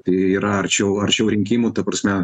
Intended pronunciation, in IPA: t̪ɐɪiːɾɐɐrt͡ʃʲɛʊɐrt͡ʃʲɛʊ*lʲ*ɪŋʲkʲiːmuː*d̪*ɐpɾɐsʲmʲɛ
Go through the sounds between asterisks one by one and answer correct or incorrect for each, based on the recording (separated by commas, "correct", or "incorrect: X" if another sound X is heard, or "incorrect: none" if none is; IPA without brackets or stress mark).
incorrect: ɾʲ, incorrect: t̪